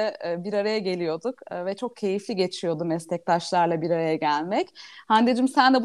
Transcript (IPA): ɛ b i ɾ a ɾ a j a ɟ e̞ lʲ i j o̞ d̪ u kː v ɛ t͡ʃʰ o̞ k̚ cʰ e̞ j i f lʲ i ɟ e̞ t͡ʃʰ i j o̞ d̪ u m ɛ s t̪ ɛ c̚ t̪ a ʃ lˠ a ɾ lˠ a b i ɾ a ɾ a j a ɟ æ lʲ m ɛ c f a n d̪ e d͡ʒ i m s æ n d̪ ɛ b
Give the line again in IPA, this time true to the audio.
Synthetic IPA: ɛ b i ɾ a ɾ a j a ɟ e̞ lʲ i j o̞ d̪ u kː v ɛ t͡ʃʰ o̞ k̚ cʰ e̞ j i f lʲ i ɟ e̞ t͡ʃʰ i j o̞ d̪ u m ɛ s t̪ ɛ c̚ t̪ a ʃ lˠ a ɾ lˠ a b i ɾ a ɾ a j a ɟ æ lʲ m ɛ c h a n d̪ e d͡ʒ i m s æ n d̪ ɛ b